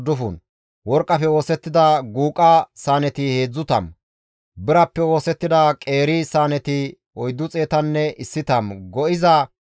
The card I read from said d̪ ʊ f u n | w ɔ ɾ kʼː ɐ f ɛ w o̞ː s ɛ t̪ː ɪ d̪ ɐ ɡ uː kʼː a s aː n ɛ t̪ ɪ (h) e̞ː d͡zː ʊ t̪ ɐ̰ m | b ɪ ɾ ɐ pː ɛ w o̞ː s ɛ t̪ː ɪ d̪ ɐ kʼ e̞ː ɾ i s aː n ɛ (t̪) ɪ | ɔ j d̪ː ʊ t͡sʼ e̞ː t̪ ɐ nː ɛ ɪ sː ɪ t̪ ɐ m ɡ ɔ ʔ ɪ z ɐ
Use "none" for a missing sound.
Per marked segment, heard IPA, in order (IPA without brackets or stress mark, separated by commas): h, t̪